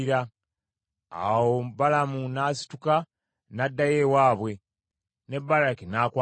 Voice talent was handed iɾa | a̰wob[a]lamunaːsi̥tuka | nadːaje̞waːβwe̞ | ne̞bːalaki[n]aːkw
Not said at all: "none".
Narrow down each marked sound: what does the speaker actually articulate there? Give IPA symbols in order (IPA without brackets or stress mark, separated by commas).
a, n